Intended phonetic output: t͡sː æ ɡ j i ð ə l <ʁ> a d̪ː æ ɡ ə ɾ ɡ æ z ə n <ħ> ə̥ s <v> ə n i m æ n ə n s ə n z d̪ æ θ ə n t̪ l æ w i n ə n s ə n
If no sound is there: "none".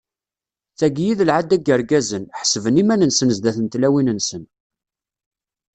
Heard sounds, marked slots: ʕ, ħ, v

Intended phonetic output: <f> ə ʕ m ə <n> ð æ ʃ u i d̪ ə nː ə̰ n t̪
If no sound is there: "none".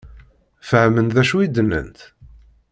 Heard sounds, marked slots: f, n

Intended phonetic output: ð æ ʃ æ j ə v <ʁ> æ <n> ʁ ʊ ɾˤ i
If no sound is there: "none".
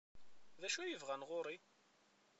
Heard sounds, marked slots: ʁ, n

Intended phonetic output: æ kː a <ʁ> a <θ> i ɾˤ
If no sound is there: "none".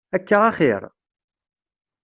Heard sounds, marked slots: ʁ, χ

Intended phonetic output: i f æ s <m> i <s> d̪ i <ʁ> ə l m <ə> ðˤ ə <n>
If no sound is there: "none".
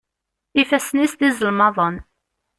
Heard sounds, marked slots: n, s, z, ɑ, n

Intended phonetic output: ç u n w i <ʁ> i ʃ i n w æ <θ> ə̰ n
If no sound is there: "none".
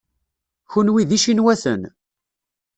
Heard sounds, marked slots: ð, θ

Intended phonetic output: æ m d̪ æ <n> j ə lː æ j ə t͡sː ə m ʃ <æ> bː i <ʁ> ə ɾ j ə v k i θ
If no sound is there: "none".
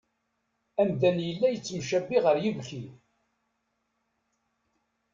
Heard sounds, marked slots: n, æ, ʁ

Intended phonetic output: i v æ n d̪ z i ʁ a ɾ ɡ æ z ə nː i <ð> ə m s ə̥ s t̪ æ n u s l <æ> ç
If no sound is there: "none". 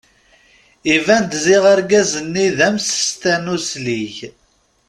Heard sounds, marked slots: ð, i

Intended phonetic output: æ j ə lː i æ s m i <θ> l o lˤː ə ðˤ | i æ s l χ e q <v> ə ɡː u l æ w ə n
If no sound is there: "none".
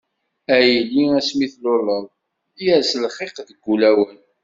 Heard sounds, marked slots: θ, ð

